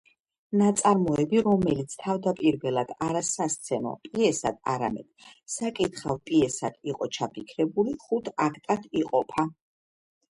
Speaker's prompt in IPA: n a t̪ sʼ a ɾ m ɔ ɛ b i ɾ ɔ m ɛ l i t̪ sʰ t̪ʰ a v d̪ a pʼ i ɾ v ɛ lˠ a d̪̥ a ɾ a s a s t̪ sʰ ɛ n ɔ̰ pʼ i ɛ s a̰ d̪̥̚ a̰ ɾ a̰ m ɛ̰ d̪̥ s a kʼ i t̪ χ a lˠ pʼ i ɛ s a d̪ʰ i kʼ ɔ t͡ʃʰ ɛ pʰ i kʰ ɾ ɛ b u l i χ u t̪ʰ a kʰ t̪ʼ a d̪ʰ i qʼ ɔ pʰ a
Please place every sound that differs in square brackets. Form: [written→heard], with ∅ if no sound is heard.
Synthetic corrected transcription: n a t̪ sʼ a ɾ m ɔ ɛ b i ɾ ɔ m ɛ l i t̪ sʰ t̪ʰ a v d̪ a pʼ i ɾ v ɛ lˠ a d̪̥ a ɾ a s a s t̪ sʰ ɛ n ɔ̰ pʼ i ɛ s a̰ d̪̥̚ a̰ ɾ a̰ m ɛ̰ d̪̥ s a kʼ i t̪ χ a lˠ pʼ i ɛ s a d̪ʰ i [kʼ→qʼ] ɔ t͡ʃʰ [ɛ→a] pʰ i kʰ ɾ ɛ b u l i χ u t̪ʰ a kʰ t̪ʼ a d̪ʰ i qʼ ɔ pʰ a